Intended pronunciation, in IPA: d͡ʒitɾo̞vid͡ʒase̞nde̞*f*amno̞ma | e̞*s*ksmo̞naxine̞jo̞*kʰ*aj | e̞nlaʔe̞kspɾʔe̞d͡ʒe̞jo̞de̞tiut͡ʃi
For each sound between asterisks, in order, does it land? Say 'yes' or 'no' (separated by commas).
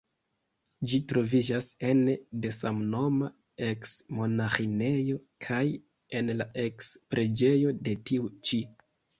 no, no, yes